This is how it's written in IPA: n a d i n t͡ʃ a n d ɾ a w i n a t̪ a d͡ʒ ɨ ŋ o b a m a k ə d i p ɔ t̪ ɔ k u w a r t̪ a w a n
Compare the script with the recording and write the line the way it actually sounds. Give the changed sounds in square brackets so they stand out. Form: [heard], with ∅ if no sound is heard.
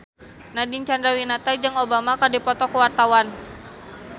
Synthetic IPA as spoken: n a d i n t͡ʃ a n d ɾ a w i n a t̪ a d͡ʒ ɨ ŋ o b a m a k [a] d i p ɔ t̪ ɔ k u w a r t̪ a w a n